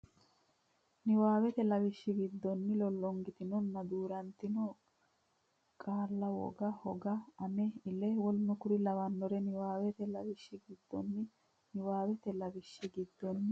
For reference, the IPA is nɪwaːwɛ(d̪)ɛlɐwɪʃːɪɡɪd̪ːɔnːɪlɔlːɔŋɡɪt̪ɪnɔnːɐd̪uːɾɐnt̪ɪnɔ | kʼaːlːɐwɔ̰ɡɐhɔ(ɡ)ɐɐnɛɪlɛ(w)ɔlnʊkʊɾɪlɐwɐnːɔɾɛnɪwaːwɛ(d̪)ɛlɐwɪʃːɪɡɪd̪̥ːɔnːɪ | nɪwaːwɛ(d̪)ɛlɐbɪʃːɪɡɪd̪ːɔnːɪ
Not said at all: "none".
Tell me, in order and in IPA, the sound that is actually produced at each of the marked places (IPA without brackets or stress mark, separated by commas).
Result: t̪, ɡ, w, t̪, t̪